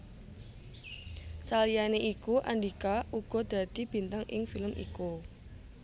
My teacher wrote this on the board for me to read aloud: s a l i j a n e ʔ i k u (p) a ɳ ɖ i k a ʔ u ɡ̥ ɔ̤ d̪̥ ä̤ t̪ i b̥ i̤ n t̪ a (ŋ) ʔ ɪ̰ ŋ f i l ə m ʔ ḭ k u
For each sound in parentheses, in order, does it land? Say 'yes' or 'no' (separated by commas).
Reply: no, yes